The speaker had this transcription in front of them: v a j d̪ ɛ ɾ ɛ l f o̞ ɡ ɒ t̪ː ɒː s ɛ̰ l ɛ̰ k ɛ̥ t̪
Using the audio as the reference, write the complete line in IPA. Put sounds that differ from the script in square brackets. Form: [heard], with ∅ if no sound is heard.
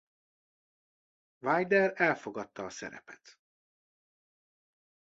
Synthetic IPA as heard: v a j d̪ ɛ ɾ ɛ l f o̞ ɡ ɒ t̪ː ɒː s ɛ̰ [ɾ] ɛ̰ [p] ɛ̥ t̪